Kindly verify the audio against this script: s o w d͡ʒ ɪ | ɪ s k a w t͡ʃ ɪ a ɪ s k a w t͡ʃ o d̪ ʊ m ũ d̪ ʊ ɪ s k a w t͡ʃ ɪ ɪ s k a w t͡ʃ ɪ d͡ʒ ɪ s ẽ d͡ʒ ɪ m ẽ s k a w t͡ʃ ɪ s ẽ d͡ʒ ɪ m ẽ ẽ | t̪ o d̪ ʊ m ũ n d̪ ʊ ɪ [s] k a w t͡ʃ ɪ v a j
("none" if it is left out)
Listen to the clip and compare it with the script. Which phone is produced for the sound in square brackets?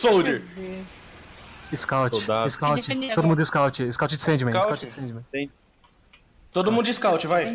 s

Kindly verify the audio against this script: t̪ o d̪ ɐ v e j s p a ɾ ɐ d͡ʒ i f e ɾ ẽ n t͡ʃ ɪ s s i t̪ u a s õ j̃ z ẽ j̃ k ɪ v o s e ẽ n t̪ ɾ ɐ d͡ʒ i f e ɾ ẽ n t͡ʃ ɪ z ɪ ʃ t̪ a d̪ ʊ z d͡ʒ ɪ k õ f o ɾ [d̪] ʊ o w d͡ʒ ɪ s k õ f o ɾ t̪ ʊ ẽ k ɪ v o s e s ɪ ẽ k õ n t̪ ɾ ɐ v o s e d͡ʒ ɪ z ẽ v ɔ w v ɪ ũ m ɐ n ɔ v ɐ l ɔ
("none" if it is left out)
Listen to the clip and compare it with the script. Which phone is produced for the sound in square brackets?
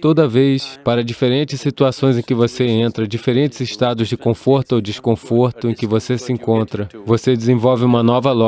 t̪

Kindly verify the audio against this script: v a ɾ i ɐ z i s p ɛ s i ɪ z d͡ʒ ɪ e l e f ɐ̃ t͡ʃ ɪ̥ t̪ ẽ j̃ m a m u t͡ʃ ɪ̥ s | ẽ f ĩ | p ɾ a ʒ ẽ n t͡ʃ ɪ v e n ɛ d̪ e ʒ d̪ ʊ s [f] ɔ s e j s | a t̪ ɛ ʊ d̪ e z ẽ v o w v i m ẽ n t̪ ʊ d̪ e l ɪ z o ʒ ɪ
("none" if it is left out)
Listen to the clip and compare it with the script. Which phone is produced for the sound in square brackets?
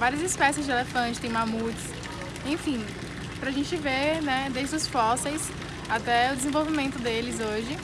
f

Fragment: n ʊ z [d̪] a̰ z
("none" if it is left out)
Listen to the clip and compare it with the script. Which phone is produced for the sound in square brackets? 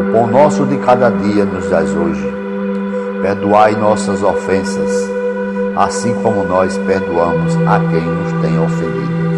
d̪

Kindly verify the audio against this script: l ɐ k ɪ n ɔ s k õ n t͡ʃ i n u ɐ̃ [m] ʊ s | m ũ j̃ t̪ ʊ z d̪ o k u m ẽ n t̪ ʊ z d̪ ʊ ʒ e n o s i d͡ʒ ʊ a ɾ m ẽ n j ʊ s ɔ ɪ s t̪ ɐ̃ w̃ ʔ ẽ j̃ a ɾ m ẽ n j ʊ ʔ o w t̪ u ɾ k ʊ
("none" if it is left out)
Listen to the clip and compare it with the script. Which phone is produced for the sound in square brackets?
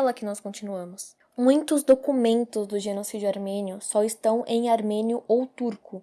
m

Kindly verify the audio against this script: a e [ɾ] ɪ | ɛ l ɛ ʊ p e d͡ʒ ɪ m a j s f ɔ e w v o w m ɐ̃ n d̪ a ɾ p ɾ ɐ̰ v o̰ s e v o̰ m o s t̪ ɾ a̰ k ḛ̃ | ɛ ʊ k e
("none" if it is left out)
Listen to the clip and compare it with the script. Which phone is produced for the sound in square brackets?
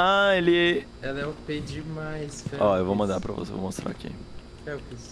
l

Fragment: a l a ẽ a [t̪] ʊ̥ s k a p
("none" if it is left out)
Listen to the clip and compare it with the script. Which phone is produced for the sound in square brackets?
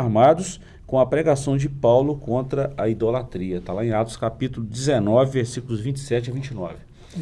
t̪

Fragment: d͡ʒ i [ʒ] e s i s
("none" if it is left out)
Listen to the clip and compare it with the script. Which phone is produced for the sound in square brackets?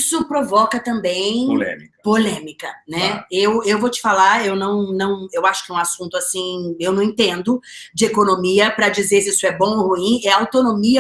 z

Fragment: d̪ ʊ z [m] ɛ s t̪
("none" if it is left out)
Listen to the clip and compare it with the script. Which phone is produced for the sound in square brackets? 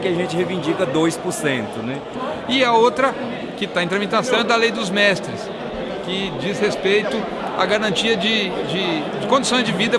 m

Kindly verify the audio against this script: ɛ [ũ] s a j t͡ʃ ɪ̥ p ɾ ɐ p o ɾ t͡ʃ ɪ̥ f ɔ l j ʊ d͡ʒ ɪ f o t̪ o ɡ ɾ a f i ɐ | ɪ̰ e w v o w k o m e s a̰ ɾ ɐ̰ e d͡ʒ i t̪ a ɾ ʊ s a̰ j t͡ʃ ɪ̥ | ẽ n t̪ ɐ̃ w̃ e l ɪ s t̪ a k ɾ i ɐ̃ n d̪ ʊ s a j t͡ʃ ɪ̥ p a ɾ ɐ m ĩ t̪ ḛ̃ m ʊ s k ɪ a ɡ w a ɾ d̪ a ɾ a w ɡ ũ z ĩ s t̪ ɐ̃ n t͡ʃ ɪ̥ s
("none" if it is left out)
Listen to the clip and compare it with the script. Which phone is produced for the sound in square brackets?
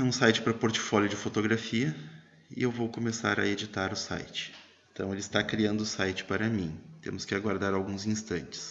ũ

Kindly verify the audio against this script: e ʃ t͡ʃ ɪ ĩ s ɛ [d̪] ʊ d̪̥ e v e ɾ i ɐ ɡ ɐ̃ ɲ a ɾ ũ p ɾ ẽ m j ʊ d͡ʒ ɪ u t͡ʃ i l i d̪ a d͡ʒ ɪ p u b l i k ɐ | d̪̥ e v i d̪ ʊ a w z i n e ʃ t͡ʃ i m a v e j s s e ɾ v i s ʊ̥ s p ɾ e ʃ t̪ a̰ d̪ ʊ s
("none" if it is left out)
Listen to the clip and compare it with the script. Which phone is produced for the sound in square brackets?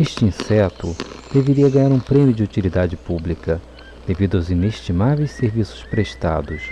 t̪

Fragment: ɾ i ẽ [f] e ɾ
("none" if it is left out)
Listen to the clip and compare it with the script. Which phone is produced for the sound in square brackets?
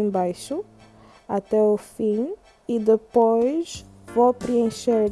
ʃ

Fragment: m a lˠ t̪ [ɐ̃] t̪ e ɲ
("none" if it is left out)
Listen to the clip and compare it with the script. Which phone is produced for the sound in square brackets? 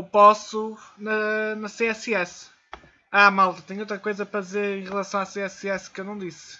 ɐ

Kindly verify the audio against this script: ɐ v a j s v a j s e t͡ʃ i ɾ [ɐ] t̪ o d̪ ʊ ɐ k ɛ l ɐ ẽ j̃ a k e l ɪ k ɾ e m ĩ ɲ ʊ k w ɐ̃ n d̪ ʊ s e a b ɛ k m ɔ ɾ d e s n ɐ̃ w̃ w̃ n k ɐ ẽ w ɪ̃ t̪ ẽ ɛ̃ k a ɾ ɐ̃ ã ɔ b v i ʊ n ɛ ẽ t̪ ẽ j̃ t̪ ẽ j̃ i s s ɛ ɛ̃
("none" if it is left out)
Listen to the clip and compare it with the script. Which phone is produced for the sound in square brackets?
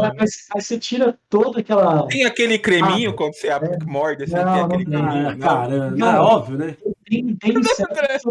ɐ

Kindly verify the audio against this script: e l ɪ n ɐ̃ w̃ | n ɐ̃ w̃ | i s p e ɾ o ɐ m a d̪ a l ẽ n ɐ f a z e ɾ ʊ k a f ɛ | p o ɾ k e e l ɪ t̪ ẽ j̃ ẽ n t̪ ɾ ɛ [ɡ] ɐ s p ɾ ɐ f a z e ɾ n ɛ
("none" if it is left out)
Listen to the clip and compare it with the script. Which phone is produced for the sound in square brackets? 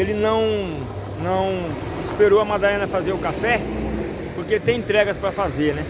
ɡ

